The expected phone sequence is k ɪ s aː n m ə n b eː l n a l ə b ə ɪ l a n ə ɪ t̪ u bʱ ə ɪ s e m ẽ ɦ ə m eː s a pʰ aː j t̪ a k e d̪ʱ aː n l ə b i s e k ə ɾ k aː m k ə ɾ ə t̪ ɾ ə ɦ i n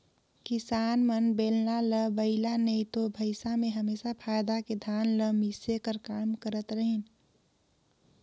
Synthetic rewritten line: k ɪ s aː n m ə n b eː l n a l ə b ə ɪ l a n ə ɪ t̪ o bʱ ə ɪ s a m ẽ ɦ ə m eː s a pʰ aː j d̪ a k e d̪ʱ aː n l ə m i s e k ə ɾ k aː m k ə ɾ ə t̪ ɾ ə ɦ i n

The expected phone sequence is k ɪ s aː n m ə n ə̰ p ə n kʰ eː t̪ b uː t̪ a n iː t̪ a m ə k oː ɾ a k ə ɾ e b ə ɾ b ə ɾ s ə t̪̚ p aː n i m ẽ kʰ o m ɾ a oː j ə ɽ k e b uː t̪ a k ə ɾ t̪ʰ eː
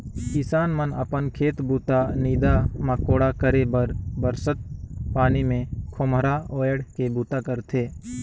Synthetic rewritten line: k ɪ s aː n m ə n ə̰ p ə n kʰ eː t̪ b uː t̪ a n iː d̪ a m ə k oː ɽ a k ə ɾ e b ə ɾ b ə ɾ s ə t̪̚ p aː n i m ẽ kʰ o m ɾ a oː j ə ɽ k e b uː t̪ a k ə ɾ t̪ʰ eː

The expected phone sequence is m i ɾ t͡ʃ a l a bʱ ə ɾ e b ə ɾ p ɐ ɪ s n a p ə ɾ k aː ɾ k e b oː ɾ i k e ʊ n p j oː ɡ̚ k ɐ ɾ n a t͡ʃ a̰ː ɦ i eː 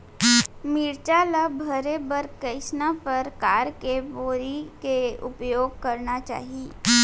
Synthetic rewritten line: m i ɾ t͡ʃ a l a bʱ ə ɾ e b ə ɾ k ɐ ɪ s n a p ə ɾ k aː ɾ k e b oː ɾ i k e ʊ p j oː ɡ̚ k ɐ ɾ n a t͡ʃ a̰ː ɦ i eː

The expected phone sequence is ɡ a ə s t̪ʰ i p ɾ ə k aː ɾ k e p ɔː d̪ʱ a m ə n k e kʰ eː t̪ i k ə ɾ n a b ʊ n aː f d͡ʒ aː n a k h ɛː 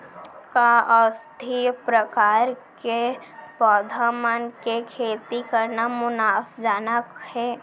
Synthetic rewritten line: k a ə s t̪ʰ i p ɾ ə k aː ɾ k e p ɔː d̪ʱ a m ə n k e kʰ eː t̪ i k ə ɾ n a m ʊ n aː f d͡ʒ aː n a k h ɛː

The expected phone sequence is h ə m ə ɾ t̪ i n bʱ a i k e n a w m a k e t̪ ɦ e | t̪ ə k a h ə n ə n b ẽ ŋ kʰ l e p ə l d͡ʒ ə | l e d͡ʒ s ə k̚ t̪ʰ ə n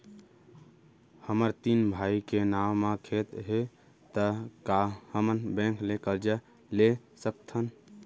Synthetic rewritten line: h ə m ə ɾ t̪ i n bʱ a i k e n a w m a kʰ e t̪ ɦ e | t̪ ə k a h ə m ə n b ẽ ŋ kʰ l e k ə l d͡ʒ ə | l e s ə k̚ t̪ʰ ə n

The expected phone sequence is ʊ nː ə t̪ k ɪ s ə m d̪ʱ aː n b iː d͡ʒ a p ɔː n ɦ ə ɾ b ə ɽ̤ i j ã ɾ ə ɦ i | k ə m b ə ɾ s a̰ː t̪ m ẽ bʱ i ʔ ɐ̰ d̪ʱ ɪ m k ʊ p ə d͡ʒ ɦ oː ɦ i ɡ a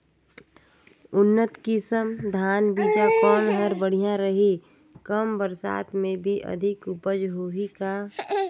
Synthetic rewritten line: ʊ nː ə t̪ k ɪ s ə m d̪ʱ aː n b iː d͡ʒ a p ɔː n ɦ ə ɾ b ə ɽ̤ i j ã ɾ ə ɦ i | k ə m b ə ɾ s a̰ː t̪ m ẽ bʱ i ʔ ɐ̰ d̪ʱ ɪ k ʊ p ə d͡ʒ ɦ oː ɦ i k a

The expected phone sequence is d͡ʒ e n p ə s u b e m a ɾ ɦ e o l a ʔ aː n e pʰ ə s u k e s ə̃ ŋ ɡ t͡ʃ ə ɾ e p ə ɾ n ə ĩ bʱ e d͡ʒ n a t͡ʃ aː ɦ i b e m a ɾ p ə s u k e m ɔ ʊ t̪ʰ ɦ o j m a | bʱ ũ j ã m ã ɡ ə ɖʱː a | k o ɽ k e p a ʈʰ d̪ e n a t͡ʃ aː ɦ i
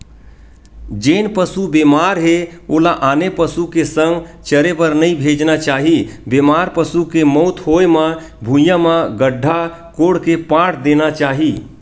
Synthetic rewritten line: d͡ʒ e n p ə s u b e m a ɾ ɦ e o l a ʔ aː n e p ə s u k e s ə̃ ŋ ɡ t͡ʃ ə ɾ e p ə ɾ n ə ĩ bʱ e d͡ʒ n a t͡ʃ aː ɦ i b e m a ɾ p ə s u k e m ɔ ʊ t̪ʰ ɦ o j m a | bʱ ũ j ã m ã ɡ ə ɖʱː a | k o ɽ k e p a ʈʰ d̪ e n a t͡ʃ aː ɦ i

